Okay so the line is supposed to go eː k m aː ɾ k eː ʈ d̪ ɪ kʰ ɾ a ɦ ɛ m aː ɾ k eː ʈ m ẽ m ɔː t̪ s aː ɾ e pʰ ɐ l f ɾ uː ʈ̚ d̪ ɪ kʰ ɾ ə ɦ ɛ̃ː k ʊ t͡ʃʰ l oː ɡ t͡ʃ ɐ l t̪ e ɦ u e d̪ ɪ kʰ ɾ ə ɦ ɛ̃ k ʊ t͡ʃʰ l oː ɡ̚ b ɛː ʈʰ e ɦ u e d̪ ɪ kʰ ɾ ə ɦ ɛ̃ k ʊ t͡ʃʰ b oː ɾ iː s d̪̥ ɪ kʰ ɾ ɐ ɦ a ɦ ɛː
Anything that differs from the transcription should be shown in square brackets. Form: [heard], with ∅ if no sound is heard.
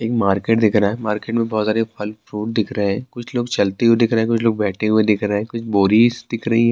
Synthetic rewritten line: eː k m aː ɾ k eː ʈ d̪ ɪ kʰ ɾ a ɦ ɛ m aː ɾ k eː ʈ m ẽ [b] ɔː t̪ s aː ɾ e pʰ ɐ l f ɾ uː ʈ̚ d̪ ɪ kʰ ɾ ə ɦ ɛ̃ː k ʊ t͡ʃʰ l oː ɡ t͡ʃ ɐ l t̪ e ɦ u e d̪ ɪ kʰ ɾ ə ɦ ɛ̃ k ʊ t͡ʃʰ l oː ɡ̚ b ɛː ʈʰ e ɦ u e d̪ ɪ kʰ ɾ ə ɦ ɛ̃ k ʊ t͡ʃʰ b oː ɾ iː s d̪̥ ɪ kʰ ɾ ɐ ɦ [i] ɦ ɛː